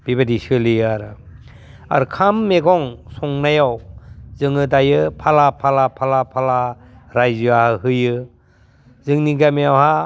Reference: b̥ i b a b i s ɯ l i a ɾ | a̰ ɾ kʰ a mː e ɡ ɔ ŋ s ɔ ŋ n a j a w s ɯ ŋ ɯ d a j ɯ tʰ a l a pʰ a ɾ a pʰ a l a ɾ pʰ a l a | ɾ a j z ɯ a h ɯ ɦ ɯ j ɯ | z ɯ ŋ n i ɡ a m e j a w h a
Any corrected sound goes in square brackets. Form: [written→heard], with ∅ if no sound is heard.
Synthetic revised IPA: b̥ i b a [b→d] i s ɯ l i a ɾ | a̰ ɾ kʰ a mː e ɡ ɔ ŋ s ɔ ŋ n a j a w [s→z] ɯ ŋ ɯ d a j ɯ [tʰ→pʰ] a l a pʰ a [ɾ→l] a pʰ a l a [ɾ→∅] pʰ a l a | ɾ a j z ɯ a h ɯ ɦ ɯ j ɯ | z ɯ ŋ n i ɡ a m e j a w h a